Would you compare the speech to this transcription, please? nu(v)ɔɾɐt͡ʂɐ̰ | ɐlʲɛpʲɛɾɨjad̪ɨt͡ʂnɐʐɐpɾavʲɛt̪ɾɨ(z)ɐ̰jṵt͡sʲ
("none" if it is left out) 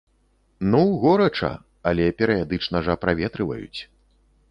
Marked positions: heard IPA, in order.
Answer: ɣ, v

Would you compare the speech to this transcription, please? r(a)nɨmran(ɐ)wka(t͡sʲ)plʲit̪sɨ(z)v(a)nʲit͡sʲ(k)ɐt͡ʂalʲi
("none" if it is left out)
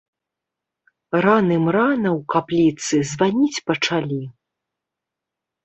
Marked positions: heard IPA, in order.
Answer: a, ɐ, none, z, a, p

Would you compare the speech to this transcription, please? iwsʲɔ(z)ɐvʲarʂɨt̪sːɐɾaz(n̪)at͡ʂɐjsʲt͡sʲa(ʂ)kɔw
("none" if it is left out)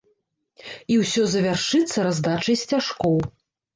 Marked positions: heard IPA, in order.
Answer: z, d̪, ʂ

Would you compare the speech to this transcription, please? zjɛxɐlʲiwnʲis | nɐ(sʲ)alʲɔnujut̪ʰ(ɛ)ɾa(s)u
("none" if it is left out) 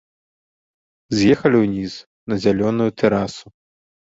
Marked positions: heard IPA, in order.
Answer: zʲ, ɛ, s

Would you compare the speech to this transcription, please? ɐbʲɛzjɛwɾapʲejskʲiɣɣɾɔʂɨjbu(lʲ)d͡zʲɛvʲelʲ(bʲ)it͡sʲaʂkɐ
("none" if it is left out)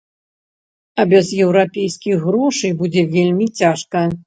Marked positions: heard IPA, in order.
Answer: none, mʲ

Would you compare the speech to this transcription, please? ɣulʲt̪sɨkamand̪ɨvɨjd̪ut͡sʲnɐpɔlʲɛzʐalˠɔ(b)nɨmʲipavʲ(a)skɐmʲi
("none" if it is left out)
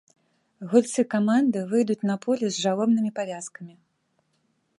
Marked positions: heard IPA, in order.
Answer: b, a

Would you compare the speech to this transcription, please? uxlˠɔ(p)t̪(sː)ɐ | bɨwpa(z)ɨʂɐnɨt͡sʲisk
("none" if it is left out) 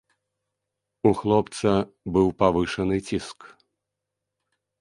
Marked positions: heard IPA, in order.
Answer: p, s, v

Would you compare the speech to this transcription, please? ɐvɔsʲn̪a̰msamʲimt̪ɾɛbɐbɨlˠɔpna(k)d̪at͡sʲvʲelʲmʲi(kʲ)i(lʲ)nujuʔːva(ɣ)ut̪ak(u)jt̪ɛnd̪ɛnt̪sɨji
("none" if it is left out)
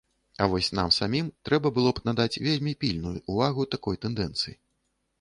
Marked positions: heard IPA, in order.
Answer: none, pʲ, lʲ, ɣ, ɔ

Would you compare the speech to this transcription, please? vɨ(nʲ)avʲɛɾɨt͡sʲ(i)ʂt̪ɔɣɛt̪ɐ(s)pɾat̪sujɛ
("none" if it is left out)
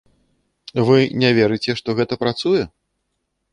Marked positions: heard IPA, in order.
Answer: nʲ, ɛ, none

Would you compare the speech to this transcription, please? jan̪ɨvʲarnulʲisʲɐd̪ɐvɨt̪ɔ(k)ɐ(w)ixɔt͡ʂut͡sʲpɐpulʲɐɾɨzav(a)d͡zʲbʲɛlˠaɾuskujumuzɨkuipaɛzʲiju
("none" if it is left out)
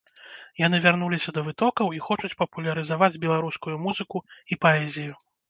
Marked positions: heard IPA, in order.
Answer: k, w, a

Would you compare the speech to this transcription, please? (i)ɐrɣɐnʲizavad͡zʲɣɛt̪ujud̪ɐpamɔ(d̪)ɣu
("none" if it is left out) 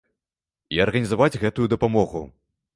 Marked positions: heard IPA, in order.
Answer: i, none

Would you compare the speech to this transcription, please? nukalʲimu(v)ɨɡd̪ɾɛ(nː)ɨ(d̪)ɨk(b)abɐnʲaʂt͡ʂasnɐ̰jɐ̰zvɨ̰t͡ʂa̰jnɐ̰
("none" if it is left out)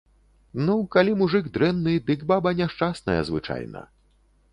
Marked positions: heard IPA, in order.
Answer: ʐ, nː, d̪, b

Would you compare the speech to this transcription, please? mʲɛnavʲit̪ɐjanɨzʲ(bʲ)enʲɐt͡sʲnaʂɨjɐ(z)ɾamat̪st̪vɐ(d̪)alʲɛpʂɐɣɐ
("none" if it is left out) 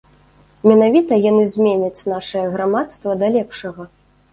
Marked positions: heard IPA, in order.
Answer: mʲ, ɣ, d̪

